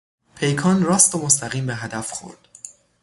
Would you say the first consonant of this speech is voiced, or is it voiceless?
voiceless